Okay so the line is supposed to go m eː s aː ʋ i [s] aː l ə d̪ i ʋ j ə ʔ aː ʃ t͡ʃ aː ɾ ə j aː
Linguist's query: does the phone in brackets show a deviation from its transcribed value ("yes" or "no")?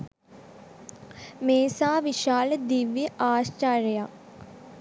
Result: yes